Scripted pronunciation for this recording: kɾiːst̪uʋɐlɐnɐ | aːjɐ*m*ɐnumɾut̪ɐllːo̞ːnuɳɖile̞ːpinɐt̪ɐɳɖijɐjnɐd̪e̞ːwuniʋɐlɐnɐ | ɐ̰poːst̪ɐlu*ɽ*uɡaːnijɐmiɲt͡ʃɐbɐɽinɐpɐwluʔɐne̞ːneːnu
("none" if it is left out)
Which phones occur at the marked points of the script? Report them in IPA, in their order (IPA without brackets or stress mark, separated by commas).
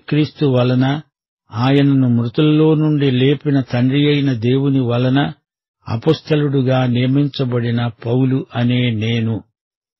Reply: n, ɽ